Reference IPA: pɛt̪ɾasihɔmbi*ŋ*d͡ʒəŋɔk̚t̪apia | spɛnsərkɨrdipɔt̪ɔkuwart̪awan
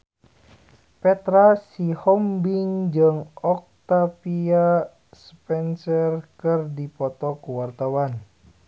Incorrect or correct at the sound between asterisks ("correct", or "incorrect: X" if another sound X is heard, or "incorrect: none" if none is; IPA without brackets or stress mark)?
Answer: correct